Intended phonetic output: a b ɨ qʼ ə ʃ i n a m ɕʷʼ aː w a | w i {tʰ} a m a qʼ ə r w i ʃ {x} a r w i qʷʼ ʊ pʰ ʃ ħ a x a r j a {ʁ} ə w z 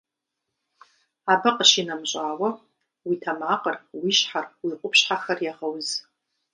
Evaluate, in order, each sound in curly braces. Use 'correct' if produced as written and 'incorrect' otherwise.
correct, incorrect: ħ, correct

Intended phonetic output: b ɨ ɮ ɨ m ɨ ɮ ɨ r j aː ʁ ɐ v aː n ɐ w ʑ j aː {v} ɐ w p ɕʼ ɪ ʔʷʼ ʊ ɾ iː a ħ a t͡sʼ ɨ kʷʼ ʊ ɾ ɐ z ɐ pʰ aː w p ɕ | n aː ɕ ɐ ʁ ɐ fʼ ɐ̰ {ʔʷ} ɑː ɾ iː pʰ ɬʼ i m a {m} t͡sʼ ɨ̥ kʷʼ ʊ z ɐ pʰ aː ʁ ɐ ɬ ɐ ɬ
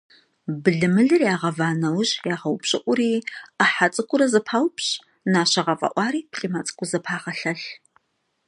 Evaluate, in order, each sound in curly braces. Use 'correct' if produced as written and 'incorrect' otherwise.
incorrect: ʁ, correct, incorrect: none

